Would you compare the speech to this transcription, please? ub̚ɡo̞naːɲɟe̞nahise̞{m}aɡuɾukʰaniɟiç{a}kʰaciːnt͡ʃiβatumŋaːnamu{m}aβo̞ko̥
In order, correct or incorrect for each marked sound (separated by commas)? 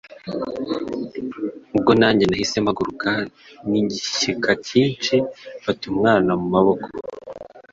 correct, incorrect, correct